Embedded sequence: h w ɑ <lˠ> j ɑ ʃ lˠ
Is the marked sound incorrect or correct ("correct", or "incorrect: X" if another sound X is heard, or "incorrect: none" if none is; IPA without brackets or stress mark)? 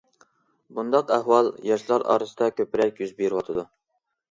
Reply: correct